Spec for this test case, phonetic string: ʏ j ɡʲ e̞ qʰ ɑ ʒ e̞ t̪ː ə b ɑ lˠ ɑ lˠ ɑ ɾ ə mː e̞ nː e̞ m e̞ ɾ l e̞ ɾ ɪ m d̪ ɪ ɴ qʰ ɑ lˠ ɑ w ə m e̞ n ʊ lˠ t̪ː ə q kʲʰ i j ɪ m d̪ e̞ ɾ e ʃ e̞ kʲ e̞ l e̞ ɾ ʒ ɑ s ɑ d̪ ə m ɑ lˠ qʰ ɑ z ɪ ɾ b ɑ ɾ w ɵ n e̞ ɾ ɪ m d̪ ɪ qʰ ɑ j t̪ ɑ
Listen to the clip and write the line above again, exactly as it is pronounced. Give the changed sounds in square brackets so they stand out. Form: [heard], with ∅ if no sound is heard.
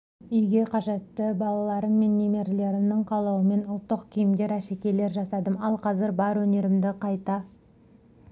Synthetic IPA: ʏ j ɡʲ e̞ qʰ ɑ ʒ e̞ t̪ː ə b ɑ lˠ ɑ lˠ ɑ ɾ ə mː e̞ nː e̞ m e̞ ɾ l e̞ ɾ ɪ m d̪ ɪ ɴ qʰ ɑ lˠ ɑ w ə m e̞ n ʊ lˠ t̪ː ə q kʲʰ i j ɪ m d̪ e̞ ɾ [æ] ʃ e̞ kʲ e̞ l e̞ ɾ ʒ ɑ s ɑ d̪ ə m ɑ lˠ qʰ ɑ z ɪ ɾ b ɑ ɾ w ɵ n e̞ ɾ ɪ m d̪ ɪ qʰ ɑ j t̪ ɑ